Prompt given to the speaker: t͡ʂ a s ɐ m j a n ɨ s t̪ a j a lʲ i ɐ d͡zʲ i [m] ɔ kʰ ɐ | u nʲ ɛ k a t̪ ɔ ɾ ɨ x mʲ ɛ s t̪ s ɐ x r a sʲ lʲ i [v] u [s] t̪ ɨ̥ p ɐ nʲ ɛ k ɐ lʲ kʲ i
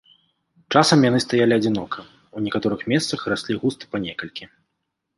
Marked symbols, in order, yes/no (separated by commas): no, no, yes